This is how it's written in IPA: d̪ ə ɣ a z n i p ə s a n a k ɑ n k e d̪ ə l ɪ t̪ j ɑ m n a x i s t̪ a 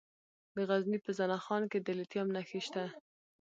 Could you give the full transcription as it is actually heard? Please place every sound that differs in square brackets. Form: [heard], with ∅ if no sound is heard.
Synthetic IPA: d̪ ə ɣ a z n i p ə [z] a n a [x] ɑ n k e d̪ ə l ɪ t̪ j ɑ m n a x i [ʃ] t̪ a